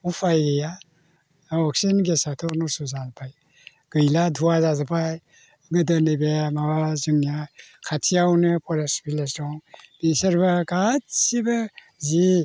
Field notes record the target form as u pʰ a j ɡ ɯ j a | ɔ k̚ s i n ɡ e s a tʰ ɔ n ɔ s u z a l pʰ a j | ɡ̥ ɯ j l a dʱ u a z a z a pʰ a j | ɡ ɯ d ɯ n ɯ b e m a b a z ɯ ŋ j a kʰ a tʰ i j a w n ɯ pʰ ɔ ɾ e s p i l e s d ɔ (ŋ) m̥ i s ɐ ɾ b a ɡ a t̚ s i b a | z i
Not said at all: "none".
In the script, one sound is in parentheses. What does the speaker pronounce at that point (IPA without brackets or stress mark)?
ŋ